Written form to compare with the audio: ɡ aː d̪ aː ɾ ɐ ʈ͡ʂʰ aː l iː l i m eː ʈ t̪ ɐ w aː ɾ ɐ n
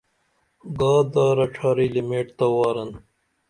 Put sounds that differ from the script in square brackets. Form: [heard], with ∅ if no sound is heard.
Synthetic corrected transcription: ɡ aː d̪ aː ɾ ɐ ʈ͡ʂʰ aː [ɾ] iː l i m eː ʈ t̪ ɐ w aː ɾ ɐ n